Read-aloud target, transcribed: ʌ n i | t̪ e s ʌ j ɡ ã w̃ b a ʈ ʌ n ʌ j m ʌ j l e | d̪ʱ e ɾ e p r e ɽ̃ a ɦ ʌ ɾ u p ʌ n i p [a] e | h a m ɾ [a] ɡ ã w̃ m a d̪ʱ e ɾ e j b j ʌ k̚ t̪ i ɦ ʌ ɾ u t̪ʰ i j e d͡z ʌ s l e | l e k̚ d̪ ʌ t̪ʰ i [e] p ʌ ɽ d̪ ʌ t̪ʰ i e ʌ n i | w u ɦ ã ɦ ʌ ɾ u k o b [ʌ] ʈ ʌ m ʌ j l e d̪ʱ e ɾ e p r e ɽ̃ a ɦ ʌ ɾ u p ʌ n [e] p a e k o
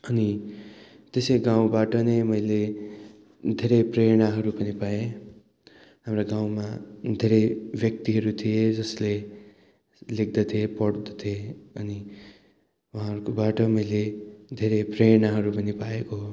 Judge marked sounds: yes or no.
yes, yes, yes, no, no

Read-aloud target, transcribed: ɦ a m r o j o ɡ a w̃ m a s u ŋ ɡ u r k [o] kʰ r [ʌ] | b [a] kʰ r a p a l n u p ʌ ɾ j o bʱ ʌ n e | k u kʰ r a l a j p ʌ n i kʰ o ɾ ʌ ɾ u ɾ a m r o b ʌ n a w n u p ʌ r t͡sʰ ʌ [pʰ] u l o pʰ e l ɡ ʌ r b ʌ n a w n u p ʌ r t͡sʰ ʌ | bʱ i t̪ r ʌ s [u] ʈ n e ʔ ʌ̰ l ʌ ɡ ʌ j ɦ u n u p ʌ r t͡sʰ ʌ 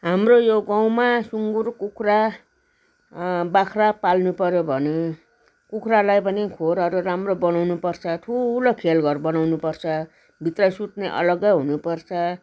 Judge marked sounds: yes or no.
no, no, yes, no, yes

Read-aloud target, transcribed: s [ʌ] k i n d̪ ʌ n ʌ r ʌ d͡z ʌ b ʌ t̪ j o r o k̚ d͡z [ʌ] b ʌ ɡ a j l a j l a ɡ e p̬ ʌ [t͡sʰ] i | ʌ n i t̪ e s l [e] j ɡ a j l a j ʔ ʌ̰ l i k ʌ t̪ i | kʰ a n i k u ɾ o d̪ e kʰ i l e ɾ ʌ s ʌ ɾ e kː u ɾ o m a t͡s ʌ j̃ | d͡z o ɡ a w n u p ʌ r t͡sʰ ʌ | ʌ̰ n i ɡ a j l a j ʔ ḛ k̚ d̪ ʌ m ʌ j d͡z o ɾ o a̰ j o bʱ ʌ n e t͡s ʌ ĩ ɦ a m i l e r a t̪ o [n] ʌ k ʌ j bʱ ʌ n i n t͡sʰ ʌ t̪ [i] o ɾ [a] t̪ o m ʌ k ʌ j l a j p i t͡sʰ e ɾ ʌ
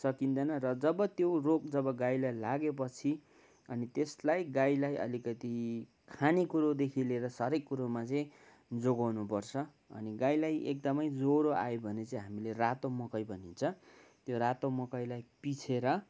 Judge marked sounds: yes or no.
yes, yes, yes, no, no, no, yes

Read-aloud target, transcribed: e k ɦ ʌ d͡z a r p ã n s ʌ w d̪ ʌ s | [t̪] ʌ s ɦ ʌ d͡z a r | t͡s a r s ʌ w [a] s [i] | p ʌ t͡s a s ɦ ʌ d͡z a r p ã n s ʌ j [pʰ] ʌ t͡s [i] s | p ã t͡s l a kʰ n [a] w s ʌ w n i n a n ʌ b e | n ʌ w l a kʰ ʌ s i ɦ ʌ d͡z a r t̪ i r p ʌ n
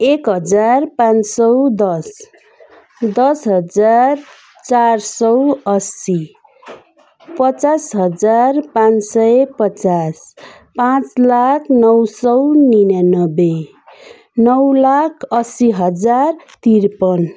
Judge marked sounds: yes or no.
no, no, yes, no, no, no

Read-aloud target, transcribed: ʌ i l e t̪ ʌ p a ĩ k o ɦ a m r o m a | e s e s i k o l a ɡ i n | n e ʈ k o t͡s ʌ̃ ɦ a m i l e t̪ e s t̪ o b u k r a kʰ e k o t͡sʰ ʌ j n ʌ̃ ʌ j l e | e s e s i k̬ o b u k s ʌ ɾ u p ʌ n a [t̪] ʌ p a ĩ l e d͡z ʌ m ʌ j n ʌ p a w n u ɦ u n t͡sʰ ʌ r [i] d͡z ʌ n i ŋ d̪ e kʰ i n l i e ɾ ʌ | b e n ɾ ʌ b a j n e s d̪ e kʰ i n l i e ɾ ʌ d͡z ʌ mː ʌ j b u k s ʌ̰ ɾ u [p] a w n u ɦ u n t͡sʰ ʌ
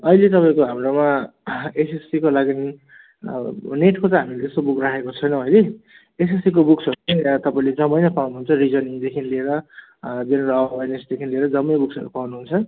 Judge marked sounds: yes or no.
yes, yes, yes

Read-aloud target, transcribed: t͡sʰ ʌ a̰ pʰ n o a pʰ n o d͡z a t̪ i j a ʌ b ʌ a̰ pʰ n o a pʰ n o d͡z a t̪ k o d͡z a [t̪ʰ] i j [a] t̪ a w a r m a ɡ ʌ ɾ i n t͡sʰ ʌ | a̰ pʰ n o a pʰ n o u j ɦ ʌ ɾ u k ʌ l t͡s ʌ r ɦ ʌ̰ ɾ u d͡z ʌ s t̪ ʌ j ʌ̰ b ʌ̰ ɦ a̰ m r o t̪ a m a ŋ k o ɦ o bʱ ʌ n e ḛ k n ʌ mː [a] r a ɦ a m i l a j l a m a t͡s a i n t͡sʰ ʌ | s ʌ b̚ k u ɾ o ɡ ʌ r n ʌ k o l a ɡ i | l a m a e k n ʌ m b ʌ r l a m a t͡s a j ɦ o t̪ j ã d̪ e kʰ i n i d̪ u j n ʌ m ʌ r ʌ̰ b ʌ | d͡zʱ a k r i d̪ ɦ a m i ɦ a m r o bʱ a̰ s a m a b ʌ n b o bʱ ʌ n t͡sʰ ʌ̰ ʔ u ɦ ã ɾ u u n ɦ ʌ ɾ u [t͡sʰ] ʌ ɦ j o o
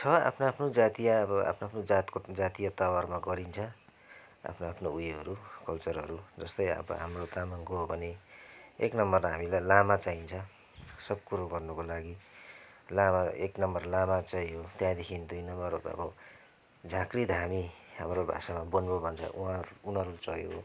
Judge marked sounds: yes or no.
no, yes, no, no

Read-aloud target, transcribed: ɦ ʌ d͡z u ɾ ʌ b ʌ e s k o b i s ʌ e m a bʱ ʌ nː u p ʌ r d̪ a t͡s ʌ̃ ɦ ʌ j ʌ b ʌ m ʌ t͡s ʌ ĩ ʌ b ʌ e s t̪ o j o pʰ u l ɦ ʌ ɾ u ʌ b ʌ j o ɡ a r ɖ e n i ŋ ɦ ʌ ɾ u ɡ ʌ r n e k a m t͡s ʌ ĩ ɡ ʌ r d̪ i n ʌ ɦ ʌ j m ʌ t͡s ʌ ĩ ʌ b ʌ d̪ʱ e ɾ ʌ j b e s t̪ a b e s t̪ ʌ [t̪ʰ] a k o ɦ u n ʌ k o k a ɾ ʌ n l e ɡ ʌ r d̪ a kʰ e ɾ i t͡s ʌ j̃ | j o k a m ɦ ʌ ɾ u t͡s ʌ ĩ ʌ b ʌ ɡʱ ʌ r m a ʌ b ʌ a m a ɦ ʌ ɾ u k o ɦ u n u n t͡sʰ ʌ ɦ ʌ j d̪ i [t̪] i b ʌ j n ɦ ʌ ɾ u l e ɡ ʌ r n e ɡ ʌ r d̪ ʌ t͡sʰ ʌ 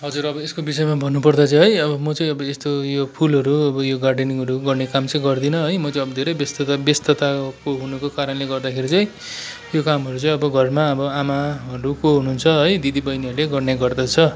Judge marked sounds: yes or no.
no, no

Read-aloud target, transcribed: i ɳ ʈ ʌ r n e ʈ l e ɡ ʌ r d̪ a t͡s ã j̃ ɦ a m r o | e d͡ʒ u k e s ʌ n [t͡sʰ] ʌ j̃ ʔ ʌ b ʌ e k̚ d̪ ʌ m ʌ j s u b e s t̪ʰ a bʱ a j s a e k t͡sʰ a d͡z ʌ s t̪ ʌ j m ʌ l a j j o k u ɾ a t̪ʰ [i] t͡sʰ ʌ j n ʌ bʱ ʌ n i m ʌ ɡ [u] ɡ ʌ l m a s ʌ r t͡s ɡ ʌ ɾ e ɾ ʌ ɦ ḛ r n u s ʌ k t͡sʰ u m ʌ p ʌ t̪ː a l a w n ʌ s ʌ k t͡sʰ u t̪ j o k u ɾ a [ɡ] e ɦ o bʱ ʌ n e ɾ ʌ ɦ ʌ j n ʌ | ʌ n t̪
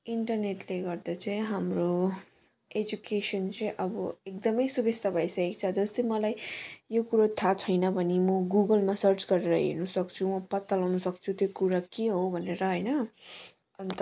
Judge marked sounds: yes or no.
no, no, yes, no

